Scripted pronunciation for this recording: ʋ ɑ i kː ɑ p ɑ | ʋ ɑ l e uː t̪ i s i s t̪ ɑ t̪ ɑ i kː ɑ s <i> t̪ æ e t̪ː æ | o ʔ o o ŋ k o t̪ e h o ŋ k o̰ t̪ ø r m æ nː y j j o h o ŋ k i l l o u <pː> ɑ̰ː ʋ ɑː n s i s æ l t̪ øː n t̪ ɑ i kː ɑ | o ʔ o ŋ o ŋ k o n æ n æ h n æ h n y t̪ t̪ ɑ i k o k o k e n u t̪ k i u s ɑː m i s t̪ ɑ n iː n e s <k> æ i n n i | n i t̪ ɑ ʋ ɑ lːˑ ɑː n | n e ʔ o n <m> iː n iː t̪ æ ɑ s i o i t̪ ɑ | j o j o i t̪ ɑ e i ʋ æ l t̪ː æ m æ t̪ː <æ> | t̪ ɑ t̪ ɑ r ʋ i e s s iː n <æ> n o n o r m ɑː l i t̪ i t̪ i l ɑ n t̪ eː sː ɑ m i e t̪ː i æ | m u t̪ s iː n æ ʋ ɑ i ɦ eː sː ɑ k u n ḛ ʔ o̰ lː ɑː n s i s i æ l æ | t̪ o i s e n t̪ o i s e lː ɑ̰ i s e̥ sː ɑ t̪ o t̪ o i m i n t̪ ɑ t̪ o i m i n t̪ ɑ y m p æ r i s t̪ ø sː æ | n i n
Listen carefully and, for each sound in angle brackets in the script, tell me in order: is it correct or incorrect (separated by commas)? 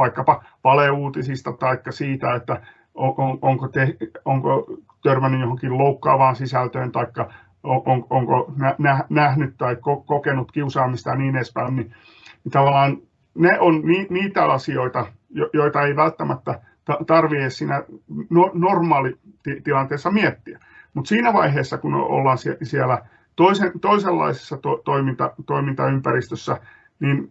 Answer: incorrect, incorrect, incorrect, incorrect, correct, correct